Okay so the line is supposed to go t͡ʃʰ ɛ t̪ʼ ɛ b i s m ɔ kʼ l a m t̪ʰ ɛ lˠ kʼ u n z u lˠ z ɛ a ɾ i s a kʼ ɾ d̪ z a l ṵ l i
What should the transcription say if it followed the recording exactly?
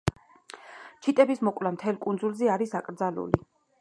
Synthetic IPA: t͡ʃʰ i t̪ʼ ɛ b i s m ɔ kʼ l a m t̪ʰ ɛ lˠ kʼ u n z u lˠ z ɛ a ɾ i s a kʼ ɾ d̪ z a l ṵ l i